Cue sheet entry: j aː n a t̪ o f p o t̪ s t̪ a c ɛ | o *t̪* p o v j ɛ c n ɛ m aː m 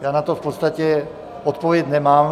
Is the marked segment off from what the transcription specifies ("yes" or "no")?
no